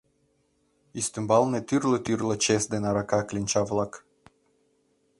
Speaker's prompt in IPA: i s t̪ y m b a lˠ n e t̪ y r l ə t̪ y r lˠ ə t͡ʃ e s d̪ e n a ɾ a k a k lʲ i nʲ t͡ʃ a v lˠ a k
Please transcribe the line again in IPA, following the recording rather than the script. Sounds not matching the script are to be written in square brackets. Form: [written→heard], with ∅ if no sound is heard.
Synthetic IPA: i s t̪ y m b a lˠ n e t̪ y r l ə t̪ y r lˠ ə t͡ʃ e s d̪ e n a ɾ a k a k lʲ i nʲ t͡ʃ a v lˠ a k

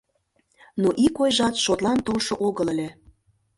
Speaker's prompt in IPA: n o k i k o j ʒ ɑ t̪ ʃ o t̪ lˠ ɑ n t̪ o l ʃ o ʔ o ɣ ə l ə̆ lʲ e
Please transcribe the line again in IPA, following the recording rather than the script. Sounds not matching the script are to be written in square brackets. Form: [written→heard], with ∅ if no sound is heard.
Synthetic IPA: n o [k→ʔ] i k o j ʒ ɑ t̪ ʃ o t̪ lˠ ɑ n t̪ o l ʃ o ʔ o ɣ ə l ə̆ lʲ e

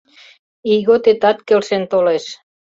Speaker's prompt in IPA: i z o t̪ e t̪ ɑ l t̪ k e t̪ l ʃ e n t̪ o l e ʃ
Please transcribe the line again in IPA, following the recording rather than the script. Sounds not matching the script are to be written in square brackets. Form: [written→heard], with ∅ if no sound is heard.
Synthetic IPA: i [z→ɣ] o t̪ e t̪ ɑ [l→∅] t̪ k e [t̪→∅] l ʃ e n t̪ o l e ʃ

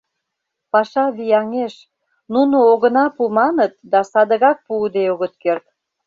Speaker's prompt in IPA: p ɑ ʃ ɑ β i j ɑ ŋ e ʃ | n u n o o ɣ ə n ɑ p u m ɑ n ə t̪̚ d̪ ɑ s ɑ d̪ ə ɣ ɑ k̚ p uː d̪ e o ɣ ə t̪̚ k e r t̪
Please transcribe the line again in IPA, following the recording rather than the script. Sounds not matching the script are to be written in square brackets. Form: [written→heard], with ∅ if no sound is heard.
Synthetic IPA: p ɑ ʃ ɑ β i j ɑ ŋ e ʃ | n u n o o ɣ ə n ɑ p u m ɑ n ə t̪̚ d̪ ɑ s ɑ d̪ ə ɣ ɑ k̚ p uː d̪ e o ɣ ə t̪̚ k e r t̪

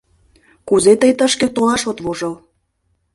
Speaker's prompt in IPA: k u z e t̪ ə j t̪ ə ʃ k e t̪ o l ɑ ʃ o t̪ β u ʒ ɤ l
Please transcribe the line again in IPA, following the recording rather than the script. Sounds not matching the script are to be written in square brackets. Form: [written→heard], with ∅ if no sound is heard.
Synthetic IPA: k u z e t̪ ə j t̪ ə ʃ k e t̪ o l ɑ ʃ o t̪ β [u→o] ʒ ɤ l

